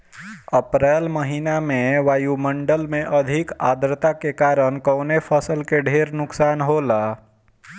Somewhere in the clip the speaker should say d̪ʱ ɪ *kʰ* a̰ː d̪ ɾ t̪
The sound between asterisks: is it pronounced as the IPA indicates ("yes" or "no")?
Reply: no